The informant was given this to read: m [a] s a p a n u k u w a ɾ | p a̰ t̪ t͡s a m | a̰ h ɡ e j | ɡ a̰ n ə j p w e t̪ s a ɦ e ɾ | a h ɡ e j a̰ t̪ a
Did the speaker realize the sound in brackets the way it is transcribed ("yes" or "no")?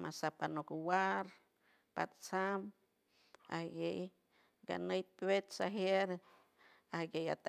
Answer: yes